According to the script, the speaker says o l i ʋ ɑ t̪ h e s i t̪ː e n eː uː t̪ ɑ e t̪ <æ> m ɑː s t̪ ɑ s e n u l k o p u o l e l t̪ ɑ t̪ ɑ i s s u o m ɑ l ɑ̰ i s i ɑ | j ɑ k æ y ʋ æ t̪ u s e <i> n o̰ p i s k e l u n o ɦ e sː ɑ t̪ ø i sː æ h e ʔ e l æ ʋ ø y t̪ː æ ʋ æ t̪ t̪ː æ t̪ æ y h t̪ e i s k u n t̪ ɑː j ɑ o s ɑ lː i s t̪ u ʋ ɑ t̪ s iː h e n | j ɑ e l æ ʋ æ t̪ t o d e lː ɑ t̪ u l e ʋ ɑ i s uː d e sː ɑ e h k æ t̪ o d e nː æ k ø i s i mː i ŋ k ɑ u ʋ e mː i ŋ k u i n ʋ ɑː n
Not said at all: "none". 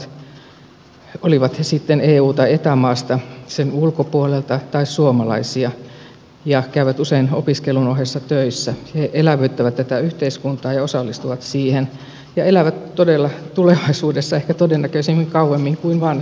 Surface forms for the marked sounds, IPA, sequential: æ, i

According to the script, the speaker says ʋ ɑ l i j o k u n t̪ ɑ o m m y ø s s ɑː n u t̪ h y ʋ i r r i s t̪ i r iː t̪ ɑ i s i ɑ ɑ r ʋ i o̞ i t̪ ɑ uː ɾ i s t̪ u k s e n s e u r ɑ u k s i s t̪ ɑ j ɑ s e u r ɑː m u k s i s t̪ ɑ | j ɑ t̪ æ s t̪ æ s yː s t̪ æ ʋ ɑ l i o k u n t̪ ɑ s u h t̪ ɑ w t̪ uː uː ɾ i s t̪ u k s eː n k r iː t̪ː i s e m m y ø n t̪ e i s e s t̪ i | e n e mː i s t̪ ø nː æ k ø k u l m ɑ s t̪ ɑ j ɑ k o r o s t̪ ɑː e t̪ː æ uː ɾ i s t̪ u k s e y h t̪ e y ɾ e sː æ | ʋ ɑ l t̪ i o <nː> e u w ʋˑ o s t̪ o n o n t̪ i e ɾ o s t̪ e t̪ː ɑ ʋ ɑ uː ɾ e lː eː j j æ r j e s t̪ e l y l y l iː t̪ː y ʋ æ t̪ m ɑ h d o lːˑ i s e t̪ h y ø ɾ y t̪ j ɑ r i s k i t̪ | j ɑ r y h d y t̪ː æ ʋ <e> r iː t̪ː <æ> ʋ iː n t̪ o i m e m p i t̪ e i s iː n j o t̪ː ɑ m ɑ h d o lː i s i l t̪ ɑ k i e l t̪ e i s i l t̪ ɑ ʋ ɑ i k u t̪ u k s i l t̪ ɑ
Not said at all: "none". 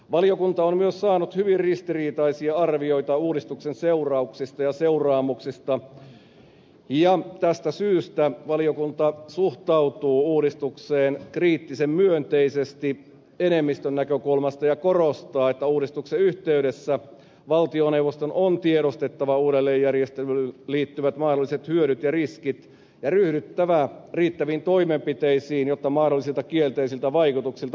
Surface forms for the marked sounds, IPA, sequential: n, æ, æ

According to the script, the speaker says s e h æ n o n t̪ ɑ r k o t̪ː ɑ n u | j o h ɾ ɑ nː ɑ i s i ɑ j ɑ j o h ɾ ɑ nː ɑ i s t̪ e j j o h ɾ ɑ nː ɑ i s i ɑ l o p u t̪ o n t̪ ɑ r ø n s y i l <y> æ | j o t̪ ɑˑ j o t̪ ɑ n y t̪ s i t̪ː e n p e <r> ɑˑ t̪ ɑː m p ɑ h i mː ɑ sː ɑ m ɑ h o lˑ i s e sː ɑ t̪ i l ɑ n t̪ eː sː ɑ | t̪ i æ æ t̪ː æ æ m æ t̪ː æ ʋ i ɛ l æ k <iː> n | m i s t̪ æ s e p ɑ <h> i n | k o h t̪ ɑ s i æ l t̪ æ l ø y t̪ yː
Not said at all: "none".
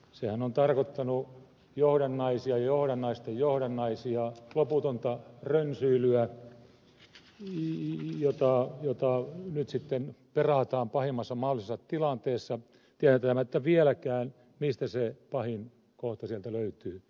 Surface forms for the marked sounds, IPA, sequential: y, r, æː, h

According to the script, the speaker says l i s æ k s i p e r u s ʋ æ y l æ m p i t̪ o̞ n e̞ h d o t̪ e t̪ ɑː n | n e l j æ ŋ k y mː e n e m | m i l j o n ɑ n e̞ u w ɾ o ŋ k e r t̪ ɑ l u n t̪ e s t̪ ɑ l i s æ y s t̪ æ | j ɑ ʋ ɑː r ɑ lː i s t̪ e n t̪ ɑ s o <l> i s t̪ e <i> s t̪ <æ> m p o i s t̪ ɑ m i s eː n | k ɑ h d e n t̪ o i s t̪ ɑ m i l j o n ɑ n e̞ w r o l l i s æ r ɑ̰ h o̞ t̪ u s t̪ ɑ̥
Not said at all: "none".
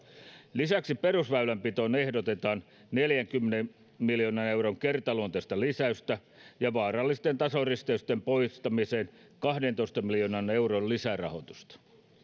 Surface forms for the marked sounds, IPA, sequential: r, y, e

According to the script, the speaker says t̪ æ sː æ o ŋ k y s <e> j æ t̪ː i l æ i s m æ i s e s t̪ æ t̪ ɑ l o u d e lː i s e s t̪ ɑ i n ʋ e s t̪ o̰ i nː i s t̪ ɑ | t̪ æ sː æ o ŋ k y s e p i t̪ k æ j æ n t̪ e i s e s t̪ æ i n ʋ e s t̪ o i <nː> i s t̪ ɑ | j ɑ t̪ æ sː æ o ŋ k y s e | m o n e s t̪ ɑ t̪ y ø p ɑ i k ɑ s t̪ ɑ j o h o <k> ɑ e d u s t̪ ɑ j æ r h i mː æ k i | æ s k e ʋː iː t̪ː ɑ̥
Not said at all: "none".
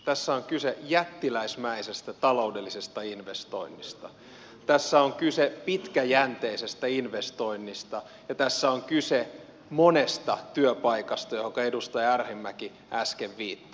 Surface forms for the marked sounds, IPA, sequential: e, nː, k

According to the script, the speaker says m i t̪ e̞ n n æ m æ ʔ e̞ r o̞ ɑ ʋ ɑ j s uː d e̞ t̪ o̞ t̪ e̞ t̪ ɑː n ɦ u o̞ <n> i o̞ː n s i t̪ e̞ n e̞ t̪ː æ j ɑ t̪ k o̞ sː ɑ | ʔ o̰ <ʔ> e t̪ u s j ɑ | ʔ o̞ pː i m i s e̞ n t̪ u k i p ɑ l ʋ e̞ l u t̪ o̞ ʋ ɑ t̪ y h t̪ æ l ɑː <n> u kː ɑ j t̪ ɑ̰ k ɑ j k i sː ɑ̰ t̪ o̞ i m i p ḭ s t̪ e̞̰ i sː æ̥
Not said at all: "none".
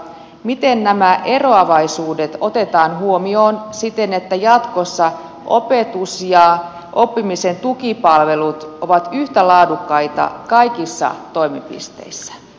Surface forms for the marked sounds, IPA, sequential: m, p, d

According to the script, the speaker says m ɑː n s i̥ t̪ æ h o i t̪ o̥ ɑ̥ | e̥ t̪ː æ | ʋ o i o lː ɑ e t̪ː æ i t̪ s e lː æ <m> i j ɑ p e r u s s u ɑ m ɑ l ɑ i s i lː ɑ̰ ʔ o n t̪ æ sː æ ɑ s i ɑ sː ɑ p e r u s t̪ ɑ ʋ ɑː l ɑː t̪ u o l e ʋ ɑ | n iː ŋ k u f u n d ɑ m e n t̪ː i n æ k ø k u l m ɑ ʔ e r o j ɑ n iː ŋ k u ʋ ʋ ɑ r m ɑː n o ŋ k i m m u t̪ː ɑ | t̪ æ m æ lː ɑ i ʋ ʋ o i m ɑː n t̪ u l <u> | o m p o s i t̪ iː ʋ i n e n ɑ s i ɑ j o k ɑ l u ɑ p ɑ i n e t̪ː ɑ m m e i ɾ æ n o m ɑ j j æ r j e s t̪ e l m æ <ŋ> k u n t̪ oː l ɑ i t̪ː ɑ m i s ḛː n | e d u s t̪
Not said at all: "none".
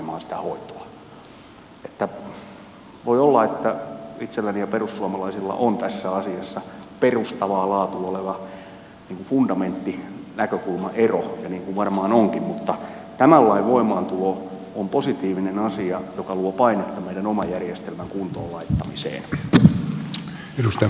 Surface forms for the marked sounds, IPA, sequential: n, o, ŋ

